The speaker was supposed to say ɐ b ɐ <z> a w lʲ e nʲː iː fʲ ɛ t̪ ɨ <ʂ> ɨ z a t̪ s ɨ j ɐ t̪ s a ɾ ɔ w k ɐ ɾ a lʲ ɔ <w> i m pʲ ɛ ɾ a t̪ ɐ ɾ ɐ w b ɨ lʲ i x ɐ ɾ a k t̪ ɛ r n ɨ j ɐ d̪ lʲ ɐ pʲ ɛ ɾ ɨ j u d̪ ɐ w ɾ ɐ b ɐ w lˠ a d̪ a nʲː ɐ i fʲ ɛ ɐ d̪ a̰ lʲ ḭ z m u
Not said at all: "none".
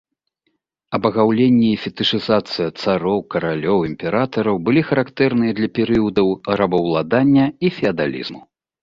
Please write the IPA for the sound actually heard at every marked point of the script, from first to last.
ɣ, ʂ, w

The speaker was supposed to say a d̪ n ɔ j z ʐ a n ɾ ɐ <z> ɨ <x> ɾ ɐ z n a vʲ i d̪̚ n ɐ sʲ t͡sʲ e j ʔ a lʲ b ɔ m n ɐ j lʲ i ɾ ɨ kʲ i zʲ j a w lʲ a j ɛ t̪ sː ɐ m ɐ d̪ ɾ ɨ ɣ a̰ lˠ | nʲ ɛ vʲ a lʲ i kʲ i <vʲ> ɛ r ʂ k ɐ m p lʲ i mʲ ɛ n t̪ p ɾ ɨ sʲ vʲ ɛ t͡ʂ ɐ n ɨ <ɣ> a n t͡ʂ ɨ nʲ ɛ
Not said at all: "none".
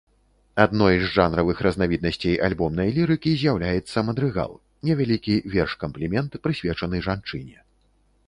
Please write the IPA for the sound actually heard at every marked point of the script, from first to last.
v, x, vʲ, ʐ

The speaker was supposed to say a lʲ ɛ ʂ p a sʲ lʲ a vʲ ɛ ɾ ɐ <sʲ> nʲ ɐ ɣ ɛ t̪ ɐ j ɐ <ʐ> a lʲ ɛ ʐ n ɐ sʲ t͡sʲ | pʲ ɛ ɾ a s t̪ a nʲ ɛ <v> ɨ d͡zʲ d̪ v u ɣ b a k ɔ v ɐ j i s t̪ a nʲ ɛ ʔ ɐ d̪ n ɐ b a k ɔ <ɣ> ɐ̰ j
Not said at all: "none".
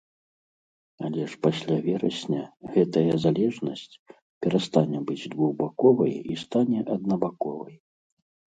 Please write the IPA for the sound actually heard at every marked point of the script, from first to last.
sʲ, z, b, v

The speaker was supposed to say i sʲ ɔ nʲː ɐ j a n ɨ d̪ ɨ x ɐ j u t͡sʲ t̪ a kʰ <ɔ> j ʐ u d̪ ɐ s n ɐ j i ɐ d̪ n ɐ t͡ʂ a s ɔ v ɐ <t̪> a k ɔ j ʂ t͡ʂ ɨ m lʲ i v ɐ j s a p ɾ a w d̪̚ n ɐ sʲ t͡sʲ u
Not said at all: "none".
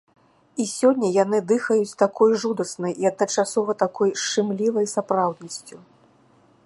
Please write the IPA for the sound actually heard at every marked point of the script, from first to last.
ɔ, t̪

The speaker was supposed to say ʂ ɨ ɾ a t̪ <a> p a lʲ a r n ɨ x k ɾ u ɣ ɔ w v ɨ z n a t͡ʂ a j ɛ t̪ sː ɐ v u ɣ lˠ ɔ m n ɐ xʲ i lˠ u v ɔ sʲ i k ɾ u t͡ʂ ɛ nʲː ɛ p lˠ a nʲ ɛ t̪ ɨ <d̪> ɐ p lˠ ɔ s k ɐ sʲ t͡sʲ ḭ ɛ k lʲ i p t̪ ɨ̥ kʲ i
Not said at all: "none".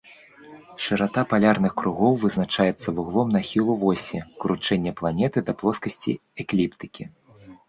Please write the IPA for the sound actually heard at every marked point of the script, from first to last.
a, d̪

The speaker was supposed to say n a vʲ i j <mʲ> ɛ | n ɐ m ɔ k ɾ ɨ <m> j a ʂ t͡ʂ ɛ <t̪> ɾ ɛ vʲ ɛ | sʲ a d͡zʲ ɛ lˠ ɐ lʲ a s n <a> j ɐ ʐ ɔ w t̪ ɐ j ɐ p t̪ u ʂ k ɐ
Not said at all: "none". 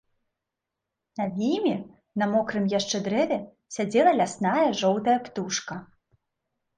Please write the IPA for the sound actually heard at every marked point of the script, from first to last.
mʲ, m, d̪, a

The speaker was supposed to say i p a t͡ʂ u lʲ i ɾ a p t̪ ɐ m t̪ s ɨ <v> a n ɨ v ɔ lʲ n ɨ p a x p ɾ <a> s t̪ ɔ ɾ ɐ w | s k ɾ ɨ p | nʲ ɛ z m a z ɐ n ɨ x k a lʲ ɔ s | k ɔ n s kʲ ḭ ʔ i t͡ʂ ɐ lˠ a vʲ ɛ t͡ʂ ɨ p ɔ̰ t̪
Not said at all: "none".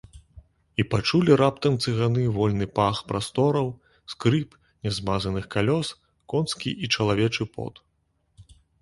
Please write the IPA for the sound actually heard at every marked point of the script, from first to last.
ɣ, a

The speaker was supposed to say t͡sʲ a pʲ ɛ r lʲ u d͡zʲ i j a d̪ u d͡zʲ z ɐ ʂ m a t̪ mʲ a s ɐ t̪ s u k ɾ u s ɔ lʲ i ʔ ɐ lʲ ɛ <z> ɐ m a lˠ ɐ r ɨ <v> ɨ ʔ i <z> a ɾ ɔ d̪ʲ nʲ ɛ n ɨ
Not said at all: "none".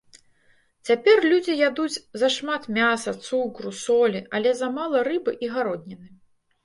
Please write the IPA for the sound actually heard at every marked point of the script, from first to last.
z, b, ɣ

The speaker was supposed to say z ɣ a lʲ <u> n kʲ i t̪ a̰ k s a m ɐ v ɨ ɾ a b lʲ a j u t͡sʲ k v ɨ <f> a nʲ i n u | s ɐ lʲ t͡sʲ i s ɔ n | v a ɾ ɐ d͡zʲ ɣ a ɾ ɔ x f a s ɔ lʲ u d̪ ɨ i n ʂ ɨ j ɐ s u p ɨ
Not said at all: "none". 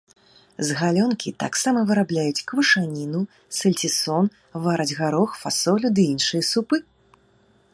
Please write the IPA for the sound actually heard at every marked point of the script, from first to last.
ɔ, ʂ

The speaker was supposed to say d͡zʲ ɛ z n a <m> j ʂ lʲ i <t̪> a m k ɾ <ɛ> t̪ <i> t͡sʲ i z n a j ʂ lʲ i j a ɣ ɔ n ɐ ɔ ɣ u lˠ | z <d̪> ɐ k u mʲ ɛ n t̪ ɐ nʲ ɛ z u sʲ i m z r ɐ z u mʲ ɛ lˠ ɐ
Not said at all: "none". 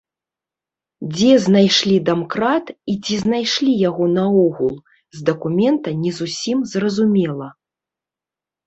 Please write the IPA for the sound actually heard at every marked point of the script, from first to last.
none, d̪, a, i, d̪

